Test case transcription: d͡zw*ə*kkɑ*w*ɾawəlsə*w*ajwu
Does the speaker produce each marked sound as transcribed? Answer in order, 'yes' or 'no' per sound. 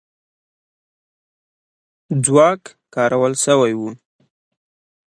no, no, yes

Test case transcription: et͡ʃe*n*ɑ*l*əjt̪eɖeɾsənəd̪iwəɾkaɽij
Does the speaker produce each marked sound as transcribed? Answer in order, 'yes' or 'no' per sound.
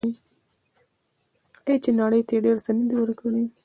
yes, no

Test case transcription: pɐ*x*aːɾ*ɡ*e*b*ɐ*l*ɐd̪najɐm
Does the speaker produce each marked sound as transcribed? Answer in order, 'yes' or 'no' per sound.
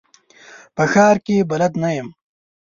yes, no, yes, yes

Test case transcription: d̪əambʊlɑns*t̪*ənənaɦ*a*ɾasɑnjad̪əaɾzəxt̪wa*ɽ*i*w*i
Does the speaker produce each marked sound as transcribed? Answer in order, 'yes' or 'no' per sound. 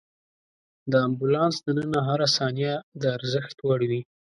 no, yes, yes, yes

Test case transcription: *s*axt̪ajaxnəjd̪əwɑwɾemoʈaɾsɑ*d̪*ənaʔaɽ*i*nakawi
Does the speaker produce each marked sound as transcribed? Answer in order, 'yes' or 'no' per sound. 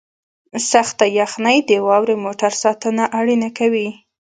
yes, no, yes

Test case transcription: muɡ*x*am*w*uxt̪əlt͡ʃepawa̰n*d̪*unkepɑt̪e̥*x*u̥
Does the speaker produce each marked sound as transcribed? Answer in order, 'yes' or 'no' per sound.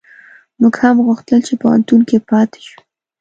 no, no, no, no

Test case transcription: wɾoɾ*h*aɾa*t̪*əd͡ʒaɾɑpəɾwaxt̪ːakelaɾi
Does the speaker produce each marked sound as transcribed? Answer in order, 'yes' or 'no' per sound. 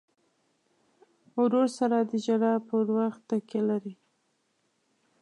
no, no

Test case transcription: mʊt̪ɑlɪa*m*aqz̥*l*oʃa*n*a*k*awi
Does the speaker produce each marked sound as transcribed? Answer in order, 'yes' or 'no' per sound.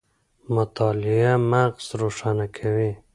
yes, no, yes, no

